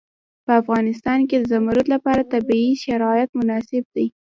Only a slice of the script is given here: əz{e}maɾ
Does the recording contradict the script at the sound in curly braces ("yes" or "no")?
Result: yes